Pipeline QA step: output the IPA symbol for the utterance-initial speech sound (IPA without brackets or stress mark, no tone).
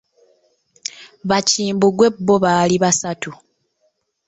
β